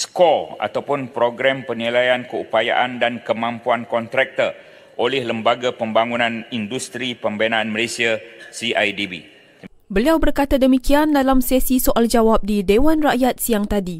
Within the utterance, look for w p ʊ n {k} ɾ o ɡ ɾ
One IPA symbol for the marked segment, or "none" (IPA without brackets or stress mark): p